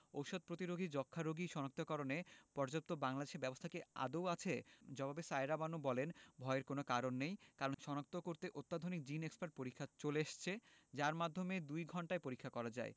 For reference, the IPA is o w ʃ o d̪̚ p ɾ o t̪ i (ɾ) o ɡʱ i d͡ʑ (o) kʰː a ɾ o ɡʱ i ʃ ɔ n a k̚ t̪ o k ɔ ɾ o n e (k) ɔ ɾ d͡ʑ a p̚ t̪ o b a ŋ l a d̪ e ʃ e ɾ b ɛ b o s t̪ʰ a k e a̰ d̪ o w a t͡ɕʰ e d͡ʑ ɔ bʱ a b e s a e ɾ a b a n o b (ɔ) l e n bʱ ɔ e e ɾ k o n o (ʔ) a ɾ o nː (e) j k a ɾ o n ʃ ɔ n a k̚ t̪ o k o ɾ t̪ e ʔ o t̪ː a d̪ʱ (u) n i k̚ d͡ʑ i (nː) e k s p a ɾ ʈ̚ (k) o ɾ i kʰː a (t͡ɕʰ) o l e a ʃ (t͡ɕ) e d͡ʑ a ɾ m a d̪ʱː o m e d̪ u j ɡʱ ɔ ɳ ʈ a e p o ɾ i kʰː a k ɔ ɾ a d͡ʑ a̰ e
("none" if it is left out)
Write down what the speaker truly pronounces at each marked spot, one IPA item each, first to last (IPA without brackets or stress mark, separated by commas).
ɾ, ɔ, p, ɔ, k, e, o, n, p, t͡ɕ, t͡ɕʰ